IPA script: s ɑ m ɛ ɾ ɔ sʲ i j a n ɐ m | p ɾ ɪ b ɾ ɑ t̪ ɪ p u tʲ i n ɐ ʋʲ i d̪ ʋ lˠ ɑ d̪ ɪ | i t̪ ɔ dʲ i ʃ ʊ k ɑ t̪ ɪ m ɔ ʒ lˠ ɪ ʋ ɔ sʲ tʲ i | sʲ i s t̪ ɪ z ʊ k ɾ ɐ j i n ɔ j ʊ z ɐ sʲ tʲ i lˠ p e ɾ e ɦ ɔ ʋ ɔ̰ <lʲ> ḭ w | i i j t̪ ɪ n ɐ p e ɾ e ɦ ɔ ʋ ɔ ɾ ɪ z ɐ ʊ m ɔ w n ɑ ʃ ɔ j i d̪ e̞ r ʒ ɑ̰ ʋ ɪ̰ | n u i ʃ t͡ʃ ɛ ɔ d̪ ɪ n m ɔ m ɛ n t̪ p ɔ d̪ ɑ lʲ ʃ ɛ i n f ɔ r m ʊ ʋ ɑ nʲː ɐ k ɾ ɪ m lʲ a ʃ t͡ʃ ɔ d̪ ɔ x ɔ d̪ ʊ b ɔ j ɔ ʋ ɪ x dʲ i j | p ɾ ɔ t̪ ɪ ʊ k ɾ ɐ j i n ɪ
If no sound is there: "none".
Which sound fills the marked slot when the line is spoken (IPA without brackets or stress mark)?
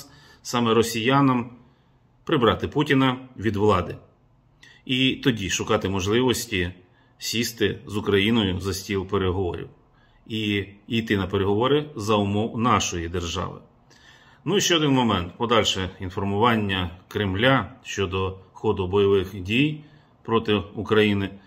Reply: ɾʲ